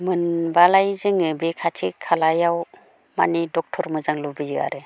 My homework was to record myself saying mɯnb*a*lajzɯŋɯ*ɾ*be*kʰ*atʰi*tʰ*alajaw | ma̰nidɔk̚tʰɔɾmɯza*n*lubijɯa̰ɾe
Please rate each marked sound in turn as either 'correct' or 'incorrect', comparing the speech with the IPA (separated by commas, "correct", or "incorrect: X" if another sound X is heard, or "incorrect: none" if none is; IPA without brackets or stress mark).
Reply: correct, incorrect: none, correct, incorrect: kʰ, incorrect: ŋ